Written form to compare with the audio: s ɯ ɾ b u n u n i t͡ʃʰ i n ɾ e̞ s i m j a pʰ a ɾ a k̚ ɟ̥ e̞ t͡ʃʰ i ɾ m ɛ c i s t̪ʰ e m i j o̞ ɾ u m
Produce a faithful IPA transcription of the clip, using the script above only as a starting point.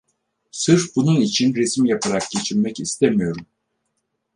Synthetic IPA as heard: s ɯ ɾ b u n u n i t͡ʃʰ i n ɾ e̞ s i m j a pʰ a ɾ a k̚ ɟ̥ e̞ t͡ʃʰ i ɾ m ɛ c i s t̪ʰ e m i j o̞ ɾ u m